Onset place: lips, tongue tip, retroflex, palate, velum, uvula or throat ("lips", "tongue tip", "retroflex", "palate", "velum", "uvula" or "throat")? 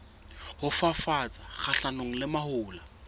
throat